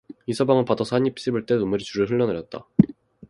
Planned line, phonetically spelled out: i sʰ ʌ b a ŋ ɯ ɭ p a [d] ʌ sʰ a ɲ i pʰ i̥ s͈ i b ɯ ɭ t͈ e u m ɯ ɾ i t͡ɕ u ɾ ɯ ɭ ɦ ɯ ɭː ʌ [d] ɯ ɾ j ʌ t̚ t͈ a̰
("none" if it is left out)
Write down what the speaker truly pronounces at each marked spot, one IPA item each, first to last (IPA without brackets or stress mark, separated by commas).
d, n